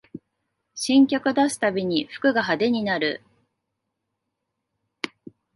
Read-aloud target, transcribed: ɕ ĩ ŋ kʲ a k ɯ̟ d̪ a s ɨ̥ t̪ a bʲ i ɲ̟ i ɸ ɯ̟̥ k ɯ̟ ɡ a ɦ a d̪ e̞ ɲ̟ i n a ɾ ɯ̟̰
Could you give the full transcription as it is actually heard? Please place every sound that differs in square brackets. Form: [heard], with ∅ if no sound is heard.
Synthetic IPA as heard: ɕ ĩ ŋ kʲ a k ɯ̟ d̪ a s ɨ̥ t̪ a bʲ i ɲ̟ i ɸ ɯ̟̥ k ɯ̟ ɡ a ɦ a d̪ e̞ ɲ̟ i n a ɾ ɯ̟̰